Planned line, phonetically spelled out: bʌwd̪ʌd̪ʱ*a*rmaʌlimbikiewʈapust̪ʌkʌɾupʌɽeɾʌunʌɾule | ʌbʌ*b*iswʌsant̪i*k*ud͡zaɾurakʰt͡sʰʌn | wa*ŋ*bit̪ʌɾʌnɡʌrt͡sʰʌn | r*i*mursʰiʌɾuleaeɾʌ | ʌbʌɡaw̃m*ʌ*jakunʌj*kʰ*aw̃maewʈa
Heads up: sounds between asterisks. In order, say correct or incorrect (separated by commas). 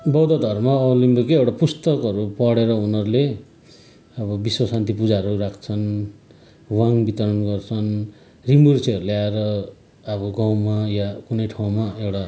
incorrect, correct, incorrect, correct, correct, incorrect, incorrect